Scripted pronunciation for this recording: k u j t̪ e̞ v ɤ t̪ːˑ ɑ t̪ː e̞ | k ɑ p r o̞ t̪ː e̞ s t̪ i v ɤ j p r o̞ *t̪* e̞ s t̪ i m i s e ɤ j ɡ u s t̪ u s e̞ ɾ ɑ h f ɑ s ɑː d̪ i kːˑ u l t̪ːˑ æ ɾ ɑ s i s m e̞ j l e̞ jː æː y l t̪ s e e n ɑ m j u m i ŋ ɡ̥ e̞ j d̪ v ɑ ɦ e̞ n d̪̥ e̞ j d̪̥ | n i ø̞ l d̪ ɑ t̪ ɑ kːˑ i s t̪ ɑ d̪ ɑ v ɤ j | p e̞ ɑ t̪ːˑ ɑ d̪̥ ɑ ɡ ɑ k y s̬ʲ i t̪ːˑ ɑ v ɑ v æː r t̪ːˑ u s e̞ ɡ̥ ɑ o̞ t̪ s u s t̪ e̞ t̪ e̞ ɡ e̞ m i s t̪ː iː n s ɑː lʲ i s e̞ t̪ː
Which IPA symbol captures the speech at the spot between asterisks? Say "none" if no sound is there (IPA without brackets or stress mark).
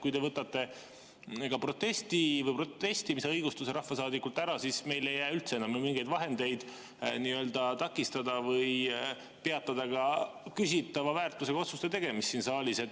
t̪